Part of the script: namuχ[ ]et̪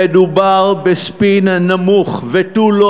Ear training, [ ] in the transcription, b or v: v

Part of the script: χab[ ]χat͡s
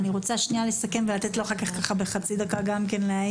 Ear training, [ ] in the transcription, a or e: e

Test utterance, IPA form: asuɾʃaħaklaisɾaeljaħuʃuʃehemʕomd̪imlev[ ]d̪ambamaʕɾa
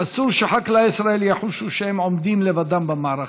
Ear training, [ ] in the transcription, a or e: a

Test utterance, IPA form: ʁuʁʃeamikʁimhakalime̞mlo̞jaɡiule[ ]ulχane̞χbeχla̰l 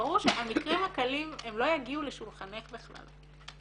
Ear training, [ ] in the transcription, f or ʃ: ʃ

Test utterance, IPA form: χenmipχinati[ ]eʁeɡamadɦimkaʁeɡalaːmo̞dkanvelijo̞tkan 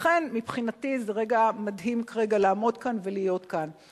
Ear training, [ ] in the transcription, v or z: z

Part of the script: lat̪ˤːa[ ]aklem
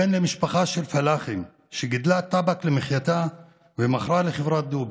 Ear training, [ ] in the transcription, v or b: b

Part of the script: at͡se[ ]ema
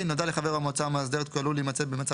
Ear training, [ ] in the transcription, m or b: b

